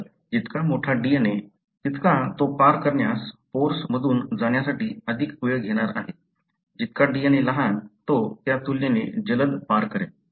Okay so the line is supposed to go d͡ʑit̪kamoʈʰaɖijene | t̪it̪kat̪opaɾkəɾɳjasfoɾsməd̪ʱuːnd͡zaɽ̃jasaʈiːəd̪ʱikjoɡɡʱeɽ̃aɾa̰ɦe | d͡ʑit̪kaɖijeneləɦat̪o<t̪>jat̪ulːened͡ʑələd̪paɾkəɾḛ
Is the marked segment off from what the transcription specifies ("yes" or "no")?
no